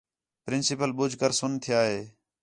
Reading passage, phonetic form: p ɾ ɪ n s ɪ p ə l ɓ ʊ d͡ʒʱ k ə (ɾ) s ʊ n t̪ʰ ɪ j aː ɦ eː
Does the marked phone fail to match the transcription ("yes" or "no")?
no